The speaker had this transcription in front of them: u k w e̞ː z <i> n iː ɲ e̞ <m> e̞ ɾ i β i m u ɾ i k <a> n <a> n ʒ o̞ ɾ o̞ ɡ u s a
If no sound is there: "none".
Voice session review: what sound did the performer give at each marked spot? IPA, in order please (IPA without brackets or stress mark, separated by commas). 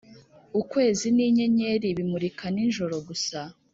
i, ɲ, a, i